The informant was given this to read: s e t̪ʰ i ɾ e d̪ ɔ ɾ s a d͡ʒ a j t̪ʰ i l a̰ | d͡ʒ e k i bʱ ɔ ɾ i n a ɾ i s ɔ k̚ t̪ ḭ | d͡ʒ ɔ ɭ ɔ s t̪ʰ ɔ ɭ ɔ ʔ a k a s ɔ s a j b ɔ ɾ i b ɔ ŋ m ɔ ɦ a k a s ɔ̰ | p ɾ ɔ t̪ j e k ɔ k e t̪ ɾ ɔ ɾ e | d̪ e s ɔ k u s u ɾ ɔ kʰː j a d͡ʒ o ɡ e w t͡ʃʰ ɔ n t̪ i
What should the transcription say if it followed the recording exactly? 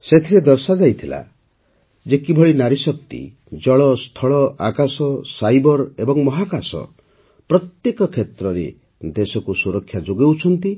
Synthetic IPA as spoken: s e t̪ʰ i ɾ e d̪ ɔ ɾ s a d͡ʒ a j t̪ʰ i l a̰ | d͡ʒ e k i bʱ ɔ ɭ i n a ɾ i s ɔ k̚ t̪ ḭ | d͡ʒ ɔ ɭ ɔ s t̪ʰ ɔ ɭ ɔ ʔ a k a s ɔ s a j b ɔ ɾ e b ɔ ŋ m ɔ ɦ a k a s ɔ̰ | p ɾ ɔ t̪ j e k ɔ kʰ e t̪ ɾ ɔ ɾ e | d̪ e s ɔ k u s u ɾ ɔ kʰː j a d͡ʒ o ɡ e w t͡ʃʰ ɔ n t̪ i